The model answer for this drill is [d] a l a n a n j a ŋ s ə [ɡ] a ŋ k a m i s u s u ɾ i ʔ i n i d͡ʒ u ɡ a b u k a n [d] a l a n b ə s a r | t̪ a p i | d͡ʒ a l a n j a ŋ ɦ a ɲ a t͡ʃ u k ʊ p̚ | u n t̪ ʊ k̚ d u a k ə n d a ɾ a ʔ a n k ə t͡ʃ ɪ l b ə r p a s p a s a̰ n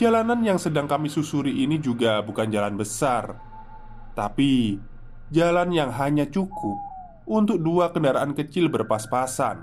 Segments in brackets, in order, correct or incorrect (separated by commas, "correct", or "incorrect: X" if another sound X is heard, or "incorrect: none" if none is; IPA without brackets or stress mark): incorrect: d͡ʒ, incorrect: d, incorrect: d͡ʒ